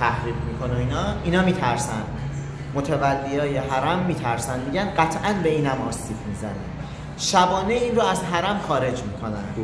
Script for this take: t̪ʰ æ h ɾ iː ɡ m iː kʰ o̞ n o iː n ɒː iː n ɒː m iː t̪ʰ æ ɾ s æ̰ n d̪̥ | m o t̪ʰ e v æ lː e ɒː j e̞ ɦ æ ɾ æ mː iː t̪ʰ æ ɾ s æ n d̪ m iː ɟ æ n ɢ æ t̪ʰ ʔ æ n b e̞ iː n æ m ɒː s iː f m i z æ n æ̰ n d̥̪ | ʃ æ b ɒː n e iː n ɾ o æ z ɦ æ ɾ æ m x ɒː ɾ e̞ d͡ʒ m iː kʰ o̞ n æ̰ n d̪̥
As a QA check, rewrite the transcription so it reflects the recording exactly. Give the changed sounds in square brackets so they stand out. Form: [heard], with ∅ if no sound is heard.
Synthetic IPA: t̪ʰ æ h ɾ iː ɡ m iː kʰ o̞ n o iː n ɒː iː n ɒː m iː t̪ʰ æ ɾ s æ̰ n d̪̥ | m o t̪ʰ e v æ lː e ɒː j e̞ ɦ æ ɾ æ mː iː t̪ʰ æ ɾ s æ n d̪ m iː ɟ æ n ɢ æ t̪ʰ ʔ æ n b e̞ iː n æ m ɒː s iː f m i z æ n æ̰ n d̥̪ | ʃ æ b ɒː n e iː n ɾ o æ z ɦ æ ɾ æ m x ɒː ɾ e̞ d͡ʒ m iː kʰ o̞ n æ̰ n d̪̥

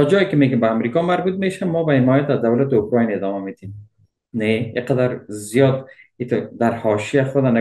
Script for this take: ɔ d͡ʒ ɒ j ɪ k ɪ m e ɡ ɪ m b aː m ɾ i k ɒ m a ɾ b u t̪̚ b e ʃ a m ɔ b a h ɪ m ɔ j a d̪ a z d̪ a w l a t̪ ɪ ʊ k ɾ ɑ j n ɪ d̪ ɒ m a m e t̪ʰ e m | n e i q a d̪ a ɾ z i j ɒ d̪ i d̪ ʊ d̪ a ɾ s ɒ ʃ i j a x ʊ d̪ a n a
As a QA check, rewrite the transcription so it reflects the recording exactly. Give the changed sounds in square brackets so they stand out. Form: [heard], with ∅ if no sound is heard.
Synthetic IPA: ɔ d͡ʒ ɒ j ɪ k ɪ m e ɡ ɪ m b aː m ɾ i k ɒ m a ɾ b u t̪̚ [m] e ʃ a m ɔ b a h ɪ m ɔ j a [t̪] a z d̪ a w l a t̪ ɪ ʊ k ɾ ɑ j n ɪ d̪ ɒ m a m e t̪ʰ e m | n e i q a d̪ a ɾ z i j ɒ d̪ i [t̪] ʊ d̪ a ɾ [h] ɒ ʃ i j a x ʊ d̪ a n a

